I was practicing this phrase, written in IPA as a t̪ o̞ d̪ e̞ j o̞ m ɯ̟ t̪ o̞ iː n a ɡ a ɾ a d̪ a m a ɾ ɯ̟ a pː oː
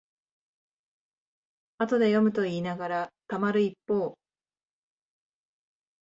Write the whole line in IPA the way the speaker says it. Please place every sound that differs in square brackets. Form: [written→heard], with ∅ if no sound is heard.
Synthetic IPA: a t̪ o̞ d̪ e̞ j o̞ m ɯ̟ t̪ o̞ iː n a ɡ a ɾ a [d̪→t̪] a m a ɾ ɯ̟ [a→i] pː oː